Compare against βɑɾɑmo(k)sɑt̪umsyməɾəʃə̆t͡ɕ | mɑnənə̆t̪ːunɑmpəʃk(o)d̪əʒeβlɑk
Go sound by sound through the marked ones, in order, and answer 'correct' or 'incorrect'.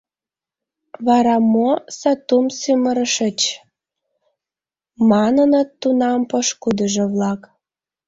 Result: incorrect: none, incorrect: u

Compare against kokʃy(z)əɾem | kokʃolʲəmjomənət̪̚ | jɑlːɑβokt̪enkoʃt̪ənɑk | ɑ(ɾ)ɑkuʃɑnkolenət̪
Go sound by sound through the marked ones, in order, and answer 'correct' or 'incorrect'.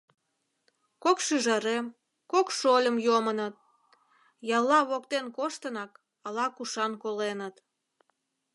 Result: incorrect: ʒ, incorrect: l

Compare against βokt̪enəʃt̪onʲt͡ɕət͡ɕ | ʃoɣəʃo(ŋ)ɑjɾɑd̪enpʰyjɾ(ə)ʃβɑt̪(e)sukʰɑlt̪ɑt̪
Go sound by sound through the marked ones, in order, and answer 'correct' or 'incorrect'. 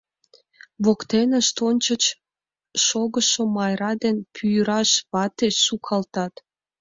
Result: incorrect: m, incorrect: ɑ, correct

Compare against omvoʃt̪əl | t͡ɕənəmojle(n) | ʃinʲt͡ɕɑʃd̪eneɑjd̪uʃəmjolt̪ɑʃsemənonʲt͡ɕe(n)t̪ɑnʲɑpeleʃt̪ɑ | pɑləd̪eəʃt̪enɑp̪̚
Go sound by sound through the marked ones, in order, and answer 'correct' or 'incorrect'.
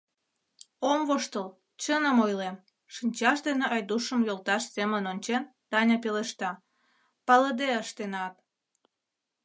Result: incorrect: m, correct

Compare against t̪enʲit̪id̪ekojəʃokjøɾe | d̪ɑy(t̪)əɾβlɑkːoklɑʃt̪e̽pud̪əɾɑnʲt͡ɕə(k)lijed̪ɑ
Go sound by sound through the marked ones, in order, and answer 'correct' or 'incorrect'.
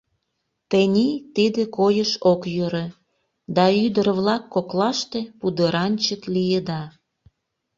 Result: incorrect: d̪, correct

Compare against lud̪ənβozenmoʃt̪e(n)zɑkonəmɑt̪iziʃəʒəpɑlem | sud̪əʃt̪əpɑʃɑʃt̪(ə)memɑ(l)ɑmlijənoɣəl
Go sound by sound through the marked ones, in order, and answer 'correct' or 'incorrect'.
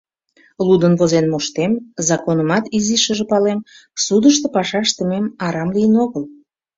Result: incorrect: m, correct, incorrect: ɾ

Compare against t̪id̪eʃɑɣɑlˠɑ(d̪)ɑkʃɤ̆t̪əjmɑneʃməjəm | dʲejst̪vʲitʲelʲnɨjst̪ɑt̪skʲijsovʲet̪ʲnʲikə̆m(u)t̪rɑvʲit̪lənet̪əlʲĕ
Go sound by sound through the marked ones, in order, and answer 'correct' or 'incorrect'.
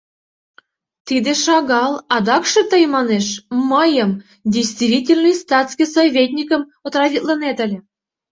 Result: correct, incorrect: o

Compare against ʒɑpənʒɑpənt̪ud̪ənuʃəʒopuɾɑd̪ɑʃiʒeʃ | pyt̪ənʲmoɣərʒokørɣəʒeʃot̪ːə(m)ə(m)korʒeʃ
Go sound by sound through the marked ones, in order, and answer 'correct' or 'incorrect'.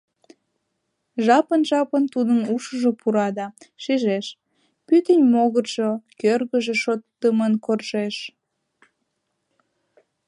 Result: correct, incorrect: n

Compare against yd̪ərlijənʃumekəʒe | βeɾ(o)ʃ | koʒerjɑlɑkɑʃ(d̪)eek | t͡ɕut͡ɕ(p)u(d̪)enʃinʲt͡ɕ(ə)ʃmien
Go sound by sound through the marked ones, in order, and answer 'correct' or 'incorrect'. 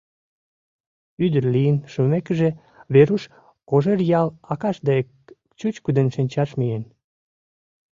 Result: incorrect: u, correct, incorrect: k, correct, incorrect: ɑ

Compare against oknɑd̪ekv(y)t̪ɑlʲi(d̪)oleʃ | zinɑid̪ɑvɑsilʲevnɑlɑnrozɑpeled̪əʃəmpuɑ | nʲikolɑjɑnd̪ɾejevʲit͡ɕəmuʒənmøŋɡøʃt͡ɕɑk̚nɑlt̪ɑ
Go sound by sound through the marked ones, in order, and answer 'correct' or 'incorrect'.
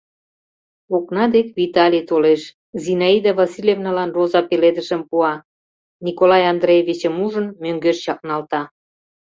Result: incorrect: i, incorrect: t̪

